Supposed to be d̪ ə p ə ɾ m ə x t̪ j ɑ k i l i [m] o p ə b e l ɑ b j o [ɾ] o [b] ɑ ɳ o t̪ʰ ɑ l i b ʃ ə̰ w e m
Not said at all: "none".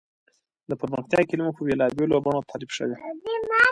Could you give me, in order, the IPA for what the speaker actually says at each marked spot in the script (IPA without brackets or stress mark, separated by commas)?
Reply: m, l, b